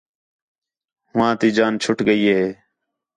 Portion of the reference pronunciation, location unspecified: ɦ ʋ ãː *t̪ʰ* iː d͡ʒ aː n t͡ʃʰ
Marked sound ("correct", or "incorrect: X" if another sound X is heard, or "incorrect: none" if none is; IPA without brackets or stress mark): incorrect: t̪